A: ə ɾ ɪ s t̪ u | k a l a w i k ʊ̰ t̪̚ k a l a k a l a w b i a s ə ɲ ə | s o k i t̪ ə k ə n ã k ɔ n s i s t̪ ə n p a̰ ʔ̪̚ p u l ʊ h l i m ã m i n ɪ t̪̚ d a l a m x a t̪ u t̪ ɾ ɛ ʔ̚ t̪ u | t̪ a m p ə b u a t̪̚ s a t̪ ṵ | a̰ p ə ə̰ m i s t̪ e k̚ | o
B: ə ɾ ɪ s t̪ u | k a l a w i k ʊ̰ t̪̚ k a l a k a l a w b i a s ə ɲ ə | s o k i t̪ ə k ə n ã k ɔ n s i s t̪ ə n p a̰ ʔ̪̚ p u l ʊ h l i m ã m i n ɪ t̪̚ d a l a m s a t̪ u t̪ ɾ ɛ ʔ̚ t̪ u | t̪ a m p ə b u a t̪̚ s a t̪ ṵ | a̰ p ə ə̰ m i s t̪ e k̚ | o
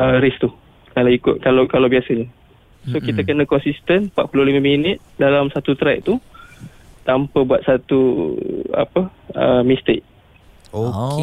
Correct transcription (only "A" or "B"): B